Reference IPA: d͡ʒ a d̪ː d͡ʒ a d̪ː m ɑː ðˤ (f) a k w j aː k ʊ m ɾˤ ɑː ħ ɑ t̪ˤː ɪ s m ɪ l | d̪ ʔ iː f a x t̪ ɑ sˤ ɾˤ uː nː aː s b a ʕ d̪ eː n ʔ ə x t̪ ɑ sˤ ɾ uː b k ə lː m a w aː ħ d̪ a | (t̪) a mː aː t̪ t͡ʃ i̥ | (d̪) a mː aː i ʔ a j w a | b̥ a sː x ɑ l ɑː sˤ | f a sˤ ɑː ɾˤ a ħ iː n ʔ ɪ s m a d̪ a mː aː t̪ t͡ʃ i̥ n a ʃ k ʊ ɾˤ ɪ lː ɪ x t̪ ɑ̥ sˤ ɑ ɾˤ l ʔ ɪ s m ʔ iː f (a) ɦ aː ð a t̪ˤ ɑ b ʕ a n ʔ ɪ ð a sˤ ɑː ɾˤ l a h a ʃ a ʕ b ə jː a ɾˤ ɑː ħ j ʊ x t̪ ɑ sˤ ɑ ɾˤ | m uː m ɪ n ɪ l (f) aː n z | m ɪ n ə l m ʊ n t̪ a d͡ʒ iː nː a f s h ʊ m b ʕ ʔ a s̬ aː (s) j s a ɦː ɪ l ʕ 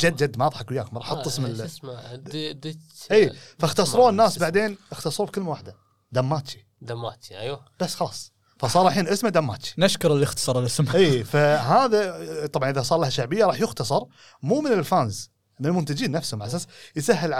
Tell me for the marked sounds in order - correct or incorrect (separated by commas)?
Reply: incorrect, incorrect, correct, correct, correct, correct